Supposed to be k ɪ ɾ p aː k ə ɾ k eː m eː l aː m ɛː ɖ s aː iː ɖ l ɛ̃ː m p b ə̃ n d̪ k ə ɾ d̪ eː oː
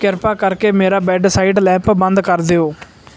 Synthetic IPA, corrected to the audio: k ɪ ɾ p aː k ə ɾ k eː m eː ɾ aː b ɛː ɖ s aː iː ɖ l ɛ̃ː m p b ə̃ n d̪ k ə ɾ d̪ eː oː